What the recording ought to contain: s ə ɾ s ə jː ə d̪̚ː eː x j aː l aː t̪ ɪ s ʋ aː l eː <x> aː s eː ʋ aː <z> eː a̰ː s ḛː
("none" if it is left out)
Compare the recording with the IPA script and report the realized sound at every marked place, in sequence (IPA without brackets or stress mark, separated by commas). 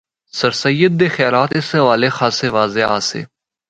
x, z